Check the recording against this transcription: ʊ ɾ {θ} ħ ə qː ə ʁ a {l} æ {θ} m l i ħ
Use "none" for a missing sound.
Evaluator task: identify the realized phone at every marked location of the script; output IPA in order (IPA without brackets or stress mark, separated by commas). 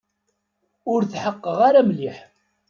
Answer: θ, ɾ, none